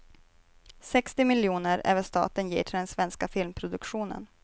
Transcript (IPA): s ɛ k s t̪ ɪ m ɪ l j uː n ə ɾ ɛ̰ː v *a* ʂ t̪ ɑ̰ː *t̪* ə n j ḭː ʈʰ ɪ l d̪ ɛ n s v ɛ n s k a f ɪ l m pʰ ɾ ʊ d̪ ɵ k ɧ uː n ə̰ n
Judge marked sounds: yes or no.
no, yes

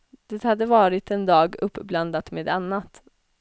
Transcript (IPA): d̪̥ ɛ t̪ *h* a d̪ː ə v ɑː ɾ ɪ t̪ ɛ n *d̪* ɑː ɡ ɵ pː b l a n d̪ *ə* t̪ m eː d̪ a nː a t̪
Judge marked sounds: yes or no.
yes, yes, no

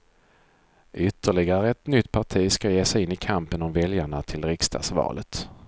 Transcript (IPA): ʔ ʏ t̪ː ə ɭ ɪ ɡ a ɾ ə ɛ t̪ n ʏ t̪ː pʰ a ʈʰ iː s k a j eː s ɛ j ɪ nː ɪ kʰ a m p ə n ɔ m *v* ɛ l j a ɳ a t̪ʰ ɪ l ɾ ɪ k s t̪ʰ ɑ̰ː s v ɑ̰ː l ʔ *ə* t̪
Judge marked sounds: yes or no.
yes, yes

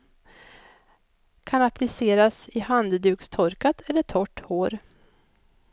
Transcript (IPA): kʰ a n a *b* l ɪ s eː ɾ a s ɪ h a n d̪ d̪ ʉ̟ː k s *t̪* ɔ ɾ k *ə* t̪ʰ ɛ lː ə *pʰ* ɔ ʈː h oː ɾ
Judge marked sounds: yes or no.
no, no, no, no

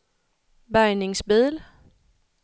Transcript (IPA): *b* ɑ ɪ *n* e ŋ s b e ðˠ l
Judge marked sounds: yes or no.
yes, yes

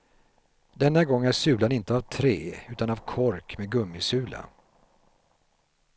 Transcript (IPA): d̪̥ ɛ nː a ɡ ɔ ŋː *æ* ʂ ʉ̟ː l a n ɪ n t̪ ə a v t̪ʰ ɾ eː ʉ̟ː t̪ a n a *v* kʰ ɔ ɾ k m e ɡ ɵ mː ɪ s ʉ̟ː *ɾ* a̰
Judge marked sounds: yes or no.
yes, yes, no

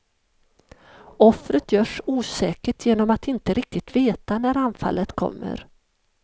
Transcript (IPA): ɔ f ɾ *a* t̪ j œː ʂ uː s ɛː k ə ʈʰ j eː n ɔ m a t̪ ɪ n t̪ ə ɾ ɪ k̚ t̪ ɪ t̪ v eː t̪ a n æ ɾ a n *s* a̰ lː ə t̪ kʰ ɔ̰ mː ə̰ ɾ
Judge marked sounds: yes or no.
no, no

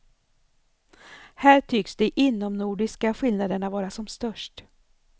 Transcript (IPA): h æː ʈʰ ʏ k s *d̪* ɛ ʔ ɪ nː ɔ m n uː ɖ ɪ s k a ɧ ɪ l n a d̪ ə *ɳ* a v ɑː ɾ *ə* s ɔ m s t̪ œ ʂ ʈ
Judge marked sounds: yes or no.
yes, yes, no

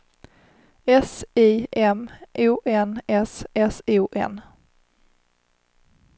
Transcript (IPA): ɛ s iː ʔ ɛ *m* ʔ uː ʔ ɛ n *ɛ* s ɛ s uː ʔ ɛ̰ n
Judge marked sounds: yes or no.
yes, yes

